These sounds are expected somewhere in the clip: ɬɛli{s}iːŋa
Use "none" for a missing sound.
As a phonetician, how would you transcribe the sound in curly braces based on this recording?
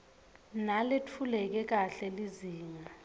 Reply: z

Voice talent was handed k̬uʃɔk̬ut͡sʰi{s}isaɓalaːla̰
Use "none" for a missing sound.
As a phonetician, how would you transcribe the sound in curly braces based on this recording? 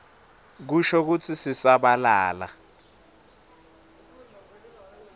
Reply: s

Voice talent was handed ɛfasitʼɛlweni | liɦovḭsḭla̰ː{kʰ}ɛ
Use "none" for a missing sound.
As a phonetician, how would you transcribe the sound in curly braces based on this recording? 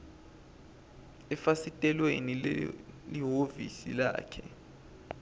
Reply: kʰ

